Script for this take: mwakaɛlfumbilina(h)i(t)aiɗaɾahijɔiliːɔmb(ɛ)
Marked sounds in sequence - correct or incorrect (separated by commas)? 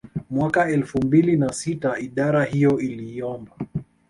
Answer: incorrect, correct, incorrect